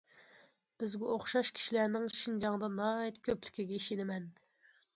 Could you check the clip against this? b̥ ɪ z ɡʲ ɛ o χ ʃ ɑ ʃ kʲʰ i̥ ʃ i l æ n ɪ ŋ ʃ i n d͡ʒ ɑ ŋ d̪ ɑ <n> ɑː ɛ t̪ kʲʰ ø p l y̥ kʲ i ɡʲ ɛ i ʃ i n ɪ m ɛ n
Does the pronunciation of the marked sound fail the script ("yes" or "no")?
no